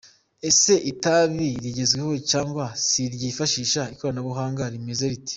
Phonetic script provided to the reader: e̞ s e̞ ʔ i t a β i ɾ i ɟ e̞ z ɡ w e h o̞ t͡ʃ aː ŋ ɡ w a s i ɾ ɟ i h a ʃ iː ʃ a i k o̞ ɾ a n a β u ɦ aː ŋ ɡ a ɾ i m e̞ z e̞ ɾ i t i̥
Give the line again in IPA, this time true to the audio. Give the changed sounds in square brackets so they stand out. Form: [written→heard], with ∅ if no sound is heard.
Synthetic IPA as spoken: e̞ s e̞ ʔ i t a β i ɾ i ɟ e̞ z ɡ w e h o̞ t͡ʃ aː ŋ ɡ w a s i ɾ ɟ i [h→f] a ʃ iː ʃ a i k o̞ ɾ a n a β u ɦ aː ŋ ɡ a ɾ i m e̞ z e̞ ɾ i t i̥